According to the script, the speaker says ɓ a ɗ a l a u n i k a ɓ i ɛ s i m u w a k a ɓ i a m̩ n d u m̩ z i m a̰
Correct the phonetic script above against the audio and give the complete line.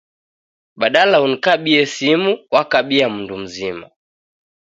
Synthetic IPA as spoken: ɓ a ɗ a l a u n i k a ɓ i ɛ s i m u w a k a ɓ i a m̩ n d u m̩ z i m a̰